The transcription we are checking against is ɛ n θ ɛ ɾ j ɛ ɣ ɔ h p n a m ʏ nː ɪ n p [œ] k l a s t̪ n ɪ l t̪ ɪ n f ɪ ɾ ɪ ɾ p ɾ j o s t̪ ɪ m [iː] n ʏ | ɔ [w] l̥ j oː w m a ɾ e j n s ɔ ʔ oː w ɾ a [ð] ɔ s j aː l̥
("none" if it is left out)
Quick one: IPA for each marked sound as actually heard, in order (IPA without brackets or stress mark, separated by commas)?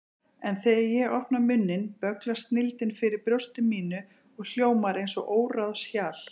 œ, iː, ɣ, ð